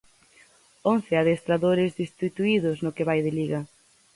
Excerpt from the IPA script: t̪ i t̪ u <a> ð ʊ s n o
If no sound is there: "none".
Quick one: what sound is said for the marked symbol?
i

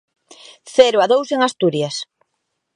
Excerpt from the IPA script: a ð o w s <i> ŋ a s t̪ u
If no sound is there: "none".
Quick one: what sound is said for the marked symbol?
e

